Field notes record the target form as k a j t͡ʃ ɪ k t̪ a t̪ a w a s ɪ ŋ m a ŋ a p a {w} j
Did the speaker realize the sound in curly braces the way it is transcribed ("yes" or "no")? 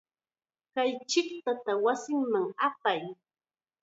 no